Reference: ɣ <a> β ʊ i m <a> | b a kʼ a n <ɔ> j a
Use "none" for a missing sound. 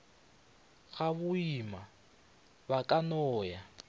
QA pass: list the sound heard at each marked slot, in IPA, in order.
a, a, ɔː

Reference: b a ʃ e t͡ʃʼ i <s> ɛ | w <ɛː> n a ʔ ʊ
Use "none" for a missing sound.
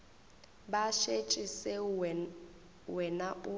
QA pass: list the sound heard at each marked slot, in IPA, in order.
s, ɛ

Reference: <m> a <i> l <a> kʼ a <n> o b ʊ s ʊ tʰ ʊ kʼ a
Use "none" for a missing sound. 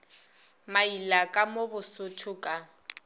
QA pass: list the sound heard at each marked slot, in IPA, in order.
m, i, a, m

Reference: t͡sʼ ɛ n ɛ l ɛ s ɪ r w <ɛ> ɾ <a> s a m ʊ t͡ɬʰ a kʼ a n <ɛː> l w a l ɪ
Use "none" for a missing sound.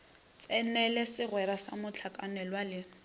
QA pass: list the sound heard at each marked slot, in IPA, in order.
ɛ, a, ɛ

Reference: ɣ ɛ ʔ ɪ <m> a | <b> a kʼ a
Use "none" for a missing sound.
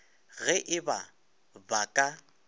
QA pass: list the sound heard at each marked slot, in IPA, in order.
b, b

